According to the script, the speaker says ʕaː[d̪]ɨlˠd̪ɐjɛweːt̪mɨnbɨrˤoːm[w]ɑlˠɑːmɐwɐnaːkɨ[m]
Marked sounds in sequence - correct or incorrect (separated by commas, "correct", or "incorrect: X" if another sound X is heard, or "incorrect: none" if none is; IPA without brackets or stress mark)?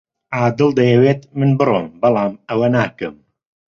correct, incorrect: b, correct